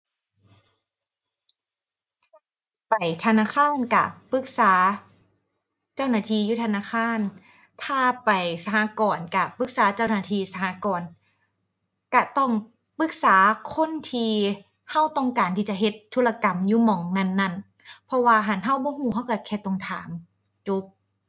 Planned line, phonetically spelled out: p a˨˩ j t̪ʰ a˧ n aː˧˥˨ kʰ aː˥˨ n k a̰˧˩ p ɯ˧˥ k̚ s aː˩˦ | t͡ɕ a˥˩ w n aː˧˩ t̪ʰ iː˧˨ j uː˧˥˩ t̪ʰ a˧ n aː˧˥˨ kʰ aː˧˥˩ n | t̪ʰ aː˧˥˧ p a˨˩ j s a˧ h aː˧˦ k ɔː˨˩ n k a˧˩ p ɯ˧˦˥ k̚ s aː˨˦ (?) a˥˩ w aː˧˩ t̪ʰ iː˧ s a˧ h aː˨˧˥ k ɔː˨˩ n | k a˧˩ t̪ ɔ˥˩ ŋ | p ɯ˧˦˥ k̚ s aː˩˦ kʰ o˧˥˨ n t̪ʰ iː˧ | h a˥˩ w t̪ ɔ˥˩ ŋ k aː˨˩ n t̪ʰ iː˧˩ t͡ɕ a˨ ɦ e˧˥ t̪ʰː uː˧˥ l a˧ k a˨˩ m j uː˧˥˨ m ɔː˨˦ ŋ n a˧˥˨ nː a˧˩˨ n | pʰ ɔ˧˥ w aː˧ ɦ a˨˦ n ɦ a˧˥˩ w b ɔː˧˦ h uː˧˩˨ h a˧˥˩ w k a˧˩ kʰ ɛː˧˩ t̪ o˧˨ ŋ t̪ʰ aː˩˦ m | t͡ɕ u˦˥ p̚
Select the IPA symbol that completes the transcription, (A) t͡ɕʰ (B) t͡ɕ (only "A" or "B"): B